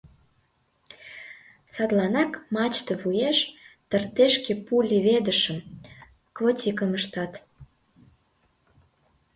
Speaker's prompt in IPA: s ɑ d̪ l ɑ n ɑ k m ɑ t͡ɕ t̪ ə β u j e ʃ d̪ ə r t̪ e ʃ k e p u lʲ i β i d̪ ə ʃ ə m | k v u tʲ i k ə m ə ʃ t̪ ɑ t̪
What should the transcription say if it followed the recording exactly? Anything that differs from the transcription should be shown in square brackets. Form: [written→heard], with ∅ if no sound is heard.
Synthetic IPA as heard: s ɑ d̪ l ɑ n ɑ k m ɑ t͡ɕ t̪ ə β u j e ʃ [d̪→t̪] ə r t̪ e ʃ k e p u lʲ i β [i→e] d̪ ə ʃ ə m | k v [u→o] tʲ i k ə m ə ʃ t̪ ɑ t̪

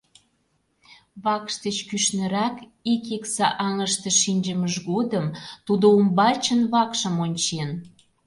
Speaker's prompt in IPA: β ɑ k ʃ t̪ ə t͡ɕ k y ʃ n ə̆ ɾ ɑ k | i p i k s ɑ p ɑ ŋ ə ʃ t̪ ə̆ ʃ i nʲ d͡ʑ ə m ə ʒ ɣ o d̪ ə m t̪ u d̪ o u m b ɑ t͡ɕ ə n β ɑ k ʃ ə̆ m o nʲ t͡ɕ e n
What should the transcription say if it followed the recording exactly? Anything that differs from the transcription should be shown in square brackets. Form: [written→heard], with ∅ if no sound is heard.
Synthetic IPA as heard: β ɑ k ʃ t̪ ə t͡ɕ k y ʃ n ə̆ ɾ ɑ k | i [p→k] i k s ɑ [p→ʔ] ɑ ŋ ə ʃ t̪ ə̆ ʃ i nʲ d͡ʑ ə m ə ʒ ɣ o d̪ ə m t̪ u d̪ o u m b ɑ t͡ɕ ə n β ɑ k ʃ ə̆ m o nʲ t͡ɕ e n

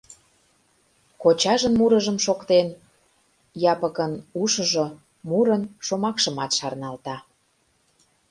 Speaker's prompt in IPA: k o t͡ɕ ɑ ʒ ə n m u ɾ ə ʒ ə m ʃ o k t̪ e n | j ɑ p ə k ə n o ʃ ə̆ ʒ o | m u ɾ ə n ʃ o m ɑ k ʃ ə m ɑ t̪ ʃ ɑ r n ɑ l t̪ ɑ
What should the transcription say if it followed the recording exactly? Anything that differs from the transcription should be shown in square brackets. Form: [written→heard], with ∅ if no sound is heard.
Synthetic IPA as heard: k o t͡ɕ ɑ ʒ ə n m u ɾ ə ʒ ə m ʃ o k t̪ e n | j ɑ p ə k ə n [o→u] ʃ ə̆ ʒ o | m u ɾ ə n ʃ o m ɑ k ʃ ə m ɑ t̪ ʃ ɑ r n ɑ l t̪ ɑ

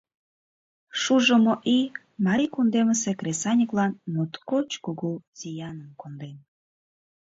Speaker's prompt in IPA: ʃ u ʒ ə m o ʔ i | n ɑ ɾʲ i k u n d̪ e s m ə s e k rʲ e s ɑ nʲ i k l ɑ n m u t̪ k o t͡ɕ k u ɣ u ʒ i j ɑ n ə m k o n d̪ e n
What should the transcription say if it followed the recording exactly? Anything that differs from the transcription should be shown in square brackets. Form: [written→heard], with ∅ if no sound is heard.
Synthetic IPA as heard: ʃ u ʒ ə m o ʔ i | [n→m] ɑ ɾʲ i k u n d̪ e [s→∅] m ə s e k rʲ e s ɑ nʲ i k l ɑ n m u t̪ k o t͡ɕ k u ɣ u [ʒ→z] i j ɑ n ə m k o n d̪ e n

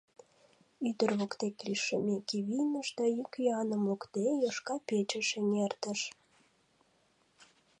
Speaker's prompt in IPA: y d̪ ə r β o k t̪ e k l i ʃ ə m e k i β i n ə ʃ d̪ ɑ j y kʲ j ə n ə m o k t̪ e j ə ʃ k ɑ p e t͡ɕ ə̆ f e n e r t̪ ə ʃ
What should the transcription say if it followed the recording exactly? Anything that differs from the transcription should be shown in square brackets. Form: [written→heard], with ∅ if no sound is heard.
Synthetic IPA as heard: y d̪ ə r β o k t̪ e k l i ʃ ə m e k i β i n ə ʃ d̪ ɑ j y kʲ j [ə→ɑ] n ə m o k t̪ e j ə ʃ k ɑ p e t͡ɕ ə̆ [f→ʃ] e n e r t̪ ə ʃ

